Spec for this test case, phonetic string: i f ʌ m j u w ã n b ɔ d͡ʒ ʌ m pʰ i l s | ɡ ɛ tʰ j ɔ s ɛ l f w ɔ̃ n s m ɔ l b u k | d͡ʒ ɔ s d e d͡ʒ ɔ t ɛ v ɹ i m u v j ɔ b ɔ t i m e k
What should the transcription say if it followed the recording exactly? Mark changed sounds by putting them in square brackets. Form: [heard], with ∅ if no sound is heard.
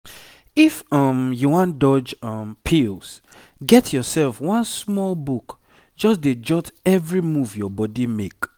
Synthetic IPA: i f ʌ m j u w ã n [d] ɔ d͡ʒ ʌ m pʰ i l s | ɡ ɛ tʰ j ɔ s ɛ l f w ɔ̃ n s m ɔ l b u k | d͡ʒ ɔ s d e d͡ʒ ɔ t ɛ v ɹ i m u v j ɔ b ɔ [d] i m e k